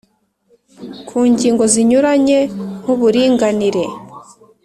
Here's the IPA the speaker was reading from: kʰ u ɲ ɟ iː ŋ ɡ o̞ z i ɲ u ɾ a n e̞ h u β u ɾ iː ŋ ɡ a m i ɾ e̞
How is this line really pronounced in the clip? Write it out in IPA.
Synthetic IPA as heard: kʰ uː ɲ ɟ iː ŋ ɡ o̞ z i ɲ u ɾ a ɲ e̞ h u β u ɾ iː ŋ ɡ a n i ɾ e̞